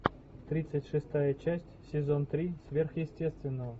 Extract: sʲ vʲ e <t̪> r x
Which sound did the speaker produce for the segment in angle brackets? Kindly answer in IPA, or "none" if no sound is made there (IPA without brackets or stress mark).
none